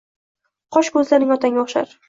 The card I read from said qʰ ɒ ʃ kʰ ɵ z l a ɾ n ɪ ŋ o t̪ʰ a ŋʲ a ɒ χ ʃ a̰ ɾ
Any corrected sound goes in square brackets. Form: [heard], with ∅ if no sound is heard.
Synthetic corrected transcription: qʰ ɒ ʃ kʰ ɵ z l a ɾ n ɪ ŋ [ɒ] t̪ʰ a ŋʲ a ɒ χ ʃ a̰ ɾ